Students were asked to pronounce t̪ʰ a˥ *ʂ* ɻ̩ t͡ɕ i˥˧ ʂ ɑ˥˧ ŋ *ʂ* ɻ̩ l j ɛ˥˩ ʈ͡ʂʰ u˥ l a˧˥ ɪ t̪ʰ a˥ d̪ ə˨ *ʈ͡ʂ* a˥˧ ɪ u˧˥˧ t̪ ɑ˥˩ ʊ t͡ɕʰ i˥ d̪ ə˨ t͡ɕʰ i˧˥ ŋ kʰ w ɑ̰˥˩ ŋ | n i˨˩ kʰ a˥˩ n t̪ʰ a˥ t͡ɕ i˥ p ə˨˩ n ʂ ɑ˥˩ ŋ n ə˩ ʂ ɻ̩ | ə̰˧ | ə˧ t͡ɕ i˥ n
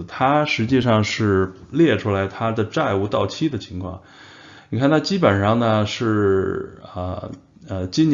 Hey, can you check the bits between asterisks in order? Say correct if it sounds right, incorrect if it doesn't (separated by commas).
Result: correct, correct, correct